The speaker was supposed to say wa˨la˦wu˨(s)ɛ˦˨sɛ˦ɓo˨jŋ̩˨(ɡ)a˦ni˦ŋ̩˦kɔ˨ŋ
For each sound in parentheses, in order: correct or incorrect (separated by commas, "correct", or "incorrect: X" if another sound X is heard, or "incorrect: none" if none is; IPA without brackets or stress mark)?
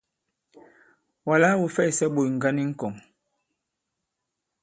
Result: incorrect: f, correct